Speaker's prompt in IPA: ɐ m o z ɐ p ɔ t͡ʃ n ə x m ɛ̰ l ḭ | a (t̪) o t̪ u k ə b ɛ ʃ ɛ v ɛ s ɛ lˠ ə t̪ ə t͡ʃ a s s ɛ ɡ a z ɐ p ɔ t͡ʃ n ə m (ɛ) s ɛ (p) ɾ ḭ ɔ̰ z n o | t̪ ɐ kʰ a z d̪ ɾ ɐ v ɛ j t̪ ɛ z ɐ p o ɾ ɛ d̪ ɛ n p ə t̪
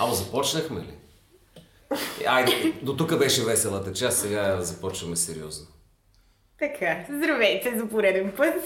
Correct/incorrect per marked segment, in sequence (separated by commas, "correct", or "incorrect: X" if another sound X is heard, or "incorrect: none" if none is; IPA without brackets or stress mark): incorrect: d̪, correct, incorrect: none